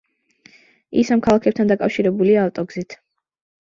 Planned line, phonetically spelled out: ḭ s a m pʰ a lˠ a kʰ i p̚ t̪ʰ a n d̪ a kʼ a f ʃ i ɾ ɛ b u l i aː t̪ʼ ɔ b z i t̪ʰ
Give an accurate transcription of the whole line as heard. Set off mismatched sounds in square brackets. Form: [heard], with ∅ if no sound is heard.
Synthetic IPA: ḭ s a m [kʰ] a lˠ a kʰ [ɛ] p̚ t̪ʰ a n d̪ a kʼ a f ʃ i ɾ ɛ b u l i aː t̪ʼ ɔ [ɡ] z i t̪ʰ